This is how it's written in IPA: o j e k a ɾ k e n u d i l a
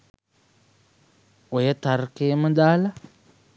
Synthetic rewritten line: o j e t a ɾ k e m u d a l a